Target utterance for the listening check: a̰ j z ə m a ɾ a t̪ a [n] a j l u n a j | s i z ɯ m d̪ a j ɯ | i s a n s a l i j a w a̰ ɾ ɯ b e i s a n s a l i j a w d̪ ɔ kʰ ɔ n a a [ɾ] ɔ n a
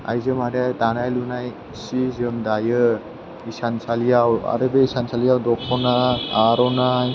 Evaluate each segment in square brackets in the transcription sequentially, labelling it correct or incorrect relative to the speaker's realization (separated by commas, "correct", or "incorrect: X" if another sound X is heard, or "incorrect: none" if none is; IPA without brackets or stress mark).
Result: correct, correct